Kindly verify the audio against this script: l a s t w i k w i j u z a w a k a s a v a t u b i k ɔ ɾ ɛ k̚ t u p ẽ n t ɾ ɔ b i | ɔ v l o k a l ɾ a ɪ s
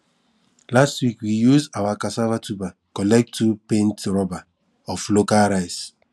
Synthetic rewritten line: l a s t w i k w i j u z a w a k a s a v a t u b a k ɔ l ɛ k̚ t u p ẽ n t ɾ ɔ b a | ɔ f l o k a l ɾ a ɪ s